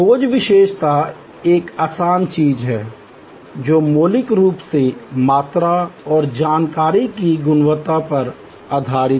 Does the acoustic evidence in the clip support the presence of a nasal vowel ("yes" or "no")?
no